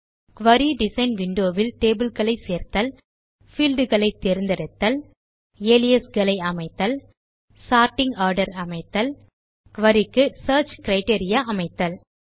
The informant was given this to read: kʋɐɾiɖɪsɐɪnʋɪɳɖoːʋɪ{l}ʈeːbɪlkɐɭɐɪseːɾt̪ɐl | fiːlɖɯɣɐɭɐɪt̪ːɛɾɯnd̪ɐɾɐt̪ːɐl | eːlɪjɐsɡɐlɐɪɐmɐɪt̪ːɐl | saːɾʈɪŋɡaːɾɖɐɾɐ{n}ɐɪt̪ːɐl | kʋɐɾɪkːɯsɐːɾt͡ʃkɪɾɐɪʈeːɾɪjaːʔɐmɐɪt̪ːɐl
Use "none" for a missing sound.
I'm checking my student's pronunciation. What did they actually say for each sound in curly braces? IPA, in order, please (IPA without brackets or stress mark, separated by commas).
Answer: l, m